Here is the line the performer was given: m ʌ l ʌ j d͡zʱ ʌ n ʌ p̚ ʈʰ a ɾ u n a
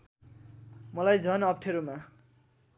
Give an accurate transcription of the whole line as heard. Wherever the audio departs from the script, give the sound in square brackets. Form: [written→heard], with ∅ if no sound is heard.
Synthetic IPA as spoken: m ʌ l [ʌ→a] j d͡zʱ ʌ n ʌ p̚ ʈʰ [a→e] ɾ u [n→m] a